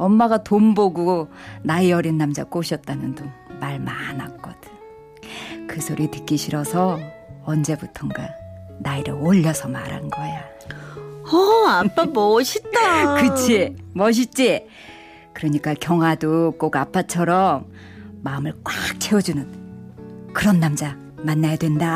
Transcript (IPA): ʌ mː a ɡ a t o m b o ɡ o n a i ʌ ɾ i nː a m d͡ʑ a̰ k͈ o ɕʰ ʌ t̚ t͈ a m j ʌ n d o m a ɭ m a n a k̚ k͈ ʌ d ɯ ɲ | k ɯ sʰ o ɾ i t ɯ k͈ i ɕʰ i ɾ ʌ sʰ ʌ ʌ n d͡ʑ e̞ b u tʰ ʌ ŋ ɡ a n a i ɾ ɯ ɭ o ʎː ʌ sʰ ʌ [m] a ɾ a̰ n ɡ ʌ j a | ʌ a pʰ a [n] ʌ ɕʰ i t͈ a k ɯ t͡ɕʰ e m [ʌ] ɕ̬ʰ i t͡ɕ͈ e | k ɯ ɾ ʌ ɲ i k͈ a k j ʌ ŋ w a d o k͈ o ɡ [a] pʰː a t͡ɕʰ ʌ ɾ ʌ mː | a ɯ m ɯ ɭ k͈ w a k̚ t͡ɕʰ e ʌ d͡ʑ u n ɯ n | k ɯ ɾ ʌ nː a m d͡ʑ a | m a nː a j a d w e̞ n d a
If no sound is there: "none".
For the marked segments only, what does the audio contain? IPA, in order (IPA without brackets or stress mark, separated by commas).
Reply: m, m, ʌ, a